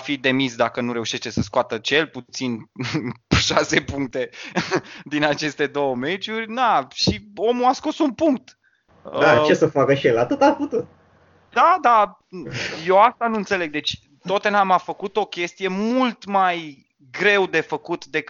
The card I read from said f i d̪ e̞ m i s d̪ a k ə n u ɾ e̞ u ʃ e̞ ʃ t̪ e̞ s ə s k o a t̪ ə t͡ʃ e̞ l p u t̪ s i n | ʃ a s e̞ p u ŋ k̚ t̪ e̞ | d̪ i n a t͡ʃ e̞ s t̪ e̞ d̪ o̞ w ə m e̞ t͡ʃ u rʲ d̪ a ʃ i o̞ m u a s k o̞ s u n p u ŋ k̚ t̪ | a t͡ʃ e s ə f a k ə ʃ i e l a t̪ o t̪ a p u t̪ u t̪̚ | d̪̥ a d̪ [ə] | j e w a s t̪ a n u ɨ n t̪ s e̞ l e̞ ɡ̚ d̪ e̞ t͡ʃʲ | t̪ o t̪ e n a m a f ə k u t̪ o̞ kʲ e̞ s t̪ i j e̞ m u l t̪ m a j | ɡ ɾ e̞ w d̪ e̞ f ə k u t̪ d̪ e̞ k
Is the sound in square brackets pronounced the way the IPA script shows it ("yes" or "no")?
no